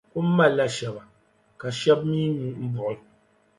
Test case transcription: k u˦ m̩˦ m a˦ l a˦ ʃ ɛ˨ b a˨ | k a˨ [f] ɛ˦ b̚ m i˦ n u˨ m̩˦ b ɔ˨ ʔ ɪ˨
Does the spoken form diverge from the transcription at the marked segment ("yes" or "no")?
yes